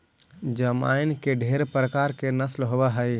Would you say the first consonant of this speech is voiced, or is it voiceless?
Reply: voiced